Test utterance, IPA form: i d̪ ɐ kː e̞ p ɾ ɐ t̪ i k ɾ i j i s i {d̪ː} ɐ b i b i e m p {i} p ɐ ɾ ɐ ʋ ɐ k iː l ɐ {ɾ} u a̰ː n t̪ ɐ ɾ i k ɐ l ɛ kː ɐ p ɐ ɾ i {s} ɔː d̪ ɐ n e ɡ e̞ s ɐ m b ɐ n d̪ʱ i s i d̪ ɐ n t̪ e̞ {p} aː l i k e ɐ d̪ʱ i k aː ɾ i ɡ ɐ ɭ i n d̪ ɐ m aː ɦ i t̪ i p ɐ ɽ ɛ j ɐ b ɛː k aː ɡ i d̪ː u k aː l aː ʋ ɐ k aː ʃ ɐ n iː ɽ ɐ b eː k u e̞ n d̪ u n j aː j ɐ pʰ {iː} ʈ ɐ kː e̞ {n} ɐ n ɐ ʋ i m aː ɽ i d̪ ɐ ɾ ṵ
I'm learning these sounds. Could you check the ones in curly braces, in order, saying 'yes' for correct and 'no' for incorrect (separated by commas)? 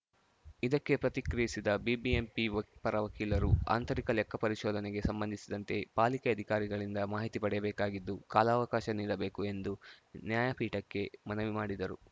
no, yes, yes, no, yes, yes, no